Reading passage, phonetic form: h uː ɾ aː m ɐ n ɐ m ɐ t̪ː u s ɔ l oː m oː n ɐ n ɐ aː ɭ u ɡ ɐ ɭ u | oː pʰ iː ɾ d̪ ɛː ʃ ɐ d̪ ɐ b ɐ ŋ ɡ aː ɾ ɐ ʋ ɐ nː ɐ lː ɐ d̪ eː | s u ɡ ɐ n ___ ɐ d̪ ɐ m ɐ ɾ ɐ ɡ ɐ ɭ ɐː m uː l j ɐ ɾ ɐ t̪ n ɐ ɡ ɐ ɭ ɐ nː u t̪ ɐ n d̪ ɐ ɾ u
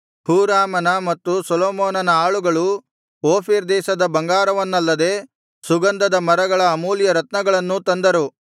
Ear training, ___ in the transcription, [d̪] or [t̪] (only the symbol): d̪